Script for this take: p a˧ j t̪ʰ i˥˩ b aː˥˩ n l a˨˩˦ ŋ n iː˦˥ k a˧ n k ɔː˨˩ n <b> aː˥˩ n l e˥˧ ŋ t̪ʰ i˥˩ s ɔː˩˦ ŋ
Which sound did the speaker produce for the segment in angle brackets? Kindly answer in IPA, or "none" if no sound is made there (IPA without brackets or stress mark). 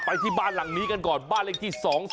b